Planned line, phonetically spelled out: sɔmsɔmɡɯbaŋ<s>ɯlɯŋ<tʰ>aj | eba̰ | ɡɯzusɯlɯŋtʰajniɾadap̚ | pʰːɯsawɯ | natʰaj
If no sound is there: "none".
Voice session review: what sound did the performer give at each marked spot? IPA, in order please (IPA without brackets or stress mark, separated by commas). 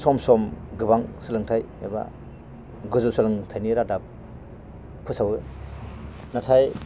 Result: s, tʰ